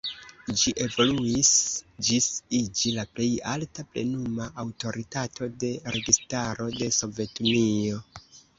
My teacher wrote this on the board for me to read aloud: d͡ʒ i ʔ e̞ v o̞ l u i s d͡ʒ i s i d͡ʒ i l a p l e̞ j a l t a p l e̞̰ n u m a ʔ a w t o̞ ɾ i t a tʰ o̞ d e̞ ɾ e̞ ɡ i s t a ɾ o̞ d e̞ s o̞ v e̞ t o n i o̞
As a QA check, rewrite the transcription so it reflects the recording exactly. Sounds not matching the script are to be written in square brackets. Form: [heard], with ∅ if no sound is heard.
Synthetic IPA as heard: d͡ʒ i ʔ e̞ v o̞ l u i s d͡ʒ i s i d͡ʒ i l a p l e̞ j a l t a p l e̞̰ n u m a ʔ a w t o̞ ɾ i t a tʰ o̞ d e̞ ɾ e̞ ɡ i s t a ɾ o̞ d e̞ s o̞ v e̞ t [u] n i o̞